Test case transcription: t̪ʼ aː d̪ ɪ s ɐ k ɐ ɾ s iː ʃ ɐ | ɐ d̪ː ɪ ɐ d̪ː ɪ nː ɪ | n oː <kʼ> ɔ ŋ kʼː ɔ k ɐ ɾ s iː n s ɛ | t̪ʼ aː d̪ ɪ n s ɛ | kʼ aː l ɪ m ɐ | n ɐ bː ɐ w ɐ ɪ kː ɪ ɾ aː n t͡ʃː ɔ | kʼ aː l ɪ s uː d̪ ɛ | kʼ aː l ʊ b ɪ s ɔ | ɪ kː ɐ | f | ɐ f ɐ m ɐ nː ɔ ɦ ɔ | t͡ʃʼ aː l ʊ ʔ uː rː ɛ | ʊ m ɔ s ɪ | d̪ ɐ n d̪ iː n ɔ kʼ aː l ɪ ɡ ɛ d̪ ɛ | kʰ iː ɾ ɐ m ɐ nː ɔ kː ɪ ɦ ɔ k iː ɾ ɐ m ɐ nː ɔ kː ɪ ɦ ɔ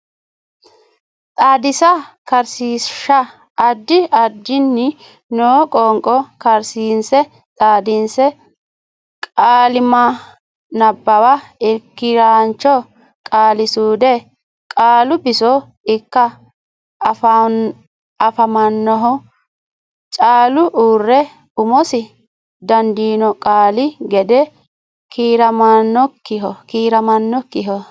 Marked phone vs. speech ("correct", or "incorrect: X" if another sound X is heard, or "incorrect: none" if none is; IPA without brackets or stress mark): correct